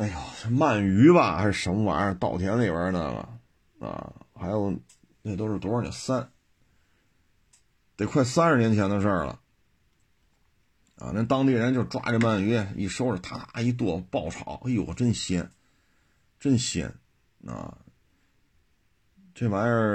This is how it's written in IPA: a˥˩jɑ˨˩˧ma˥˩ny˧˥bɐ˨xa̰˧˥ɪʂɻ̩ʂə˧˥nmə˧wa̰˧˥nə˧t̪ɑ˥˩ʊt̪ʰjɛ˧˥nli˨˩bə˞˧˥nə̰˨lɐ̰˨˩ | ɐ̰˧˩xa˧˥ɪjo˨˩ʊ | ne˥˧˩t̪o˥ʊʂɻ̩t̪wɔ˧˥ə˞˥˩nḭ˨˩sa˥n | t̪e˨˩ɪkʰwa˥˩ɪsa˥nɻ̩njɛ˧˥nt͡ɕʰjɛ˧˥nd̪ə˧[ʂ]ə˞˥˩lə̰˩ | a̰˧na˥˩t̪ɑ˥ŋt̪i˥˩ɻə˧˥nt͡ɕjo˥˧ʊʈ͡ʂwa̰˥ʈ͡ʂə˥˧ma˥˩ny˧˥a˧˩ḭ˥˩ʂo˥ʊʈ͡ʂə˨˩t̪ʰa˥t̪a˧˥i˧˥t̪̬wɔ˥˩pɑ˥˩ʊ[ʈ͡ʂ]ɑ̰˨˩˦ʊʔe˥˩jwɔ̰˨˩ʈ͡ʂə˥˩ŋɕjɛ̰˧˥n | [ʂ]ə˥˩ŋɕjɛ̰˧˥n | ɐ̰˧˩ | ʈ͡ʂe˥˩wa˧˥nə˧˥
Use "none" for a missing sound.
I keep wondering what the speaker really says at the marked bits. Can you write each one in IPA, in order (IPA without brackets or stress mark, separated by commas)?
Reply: ʂ, ʈ͡ʂʰ, ʈ͡ʂ